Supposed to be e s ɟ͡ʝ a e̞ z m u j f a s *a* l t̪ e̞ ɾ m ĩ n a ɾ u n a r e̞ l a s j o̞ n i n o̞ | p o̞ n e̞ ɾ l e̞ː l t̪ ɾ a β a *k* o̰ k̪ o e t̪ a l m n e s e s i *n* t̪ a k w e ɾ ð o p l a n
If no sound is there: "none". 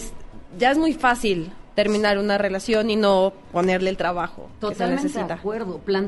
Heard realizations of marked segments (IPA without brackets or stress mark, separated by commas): i, x, none